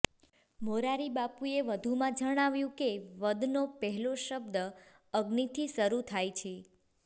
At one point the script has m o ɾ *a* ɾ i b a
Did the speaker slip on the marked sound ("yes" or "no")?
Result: no